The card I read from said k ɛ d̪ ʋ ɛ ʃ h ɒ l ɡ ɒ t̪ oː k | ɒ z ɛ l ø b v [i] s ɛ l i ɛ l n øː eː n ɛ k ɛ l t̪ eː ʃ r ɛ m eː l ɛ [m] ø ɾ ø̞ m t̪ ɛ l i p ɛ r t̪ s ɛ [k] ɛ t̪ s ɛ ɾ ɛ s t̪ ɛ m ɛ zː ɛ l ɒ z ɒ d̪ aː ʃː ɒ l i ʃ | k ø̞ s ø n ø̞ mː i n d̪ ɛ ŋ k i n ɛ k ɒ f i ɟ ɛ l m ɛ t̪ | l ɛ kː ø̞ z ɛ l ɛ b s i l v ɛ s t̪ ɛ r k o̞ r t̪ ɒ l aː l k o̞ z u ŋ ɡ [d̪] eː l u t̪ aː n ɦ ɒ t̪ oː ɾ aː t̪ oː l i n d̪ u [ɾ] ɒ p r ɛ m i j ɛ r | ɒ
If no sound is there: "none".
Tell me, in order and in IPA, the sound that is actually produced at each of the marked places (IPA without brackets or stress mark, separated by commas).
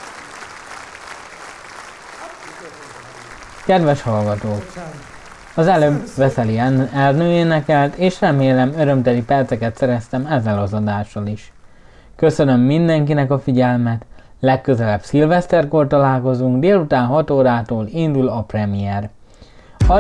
ɛ, m, k, d̪, l